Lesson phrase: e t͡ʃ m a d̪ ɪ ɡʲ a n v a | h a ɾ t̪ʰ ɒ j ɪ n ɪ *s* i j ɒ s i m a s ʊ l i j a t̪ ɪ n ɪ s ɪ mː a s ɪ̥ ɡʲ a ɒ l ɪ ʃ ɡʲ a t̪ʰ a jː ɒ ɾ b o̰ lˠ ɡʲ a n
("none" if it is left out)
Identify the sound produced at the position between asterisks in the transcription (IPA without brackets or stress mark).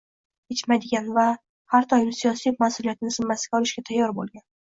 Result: s